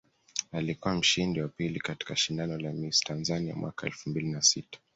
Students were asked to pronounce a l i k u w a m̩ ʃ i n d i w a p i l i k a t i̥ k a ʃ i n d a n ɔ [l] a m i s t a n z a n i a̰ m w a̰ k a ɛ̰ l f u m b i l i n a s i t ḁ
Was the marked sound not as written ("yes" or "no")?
no